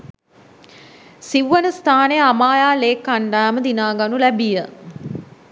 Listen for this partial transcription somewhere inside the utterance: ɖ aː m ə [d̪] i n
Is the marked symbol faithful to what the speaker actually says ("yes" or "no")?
yes